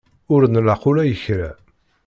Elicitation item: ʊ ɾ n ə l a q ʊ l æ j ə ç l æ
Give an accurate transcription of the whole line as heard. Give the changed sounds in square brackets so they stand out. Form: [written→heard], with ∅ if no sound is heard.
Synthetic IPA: ʊ ɾ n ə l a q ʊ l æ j ə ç [l→ɾ] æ